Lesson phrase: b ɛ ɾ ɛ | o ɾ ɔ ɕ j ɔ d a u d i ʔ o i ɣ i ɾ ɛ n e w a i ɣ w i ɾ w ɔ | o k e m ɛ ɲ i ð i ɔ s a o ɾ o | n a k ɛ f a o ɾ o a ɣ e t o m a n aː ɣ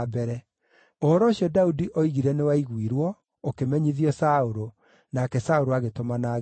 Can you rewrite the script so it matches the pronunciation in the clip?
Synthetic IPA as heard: b ɛ ɾ ɛ | o ɾ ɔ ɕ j ɔ d a u d i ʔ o i ɣ i ɾ ɛ n e w a i ɣ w i ɾ w ɔ | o k e m ɛ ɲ i ð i ɔ s a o ɾ o | n a k ɛ s a o ɾ o a ɣ e t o m a n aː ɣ